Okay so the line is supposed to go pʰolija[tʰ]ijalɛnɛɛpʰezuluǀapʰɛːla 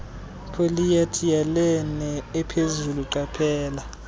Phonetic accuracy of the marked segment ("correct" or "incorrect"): correct